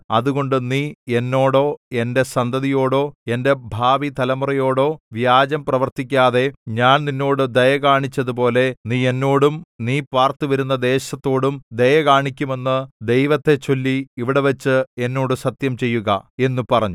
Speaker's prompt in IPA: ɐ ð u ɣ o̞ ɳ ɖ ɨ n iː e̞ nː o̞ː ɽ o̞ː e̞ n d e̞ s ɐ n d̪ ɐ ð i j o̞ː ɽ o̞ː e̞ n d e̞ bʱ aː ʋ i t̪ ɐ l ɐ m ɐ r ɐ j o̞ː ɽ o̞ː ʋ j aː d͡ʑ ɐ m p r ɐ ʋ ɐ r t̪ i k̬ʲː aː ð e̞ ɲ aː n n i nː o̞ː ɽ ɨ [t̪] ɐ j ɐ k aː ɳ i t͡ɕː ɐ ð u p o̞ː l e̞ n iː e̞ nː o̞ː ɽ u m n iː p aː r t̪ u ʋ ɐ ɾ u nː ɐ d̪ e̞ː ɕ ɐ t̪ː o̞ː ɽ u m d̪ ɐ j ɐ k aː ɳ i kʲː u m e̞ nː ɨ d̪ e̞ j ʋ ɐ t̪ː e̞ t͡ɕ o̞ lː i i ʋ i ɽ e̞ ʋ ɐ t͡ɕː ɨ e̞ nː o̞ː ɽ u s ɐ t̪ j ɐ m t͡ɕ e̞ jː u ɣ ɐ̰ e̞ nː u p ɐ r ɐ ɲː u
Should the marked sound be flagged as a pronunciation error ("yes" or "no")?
yes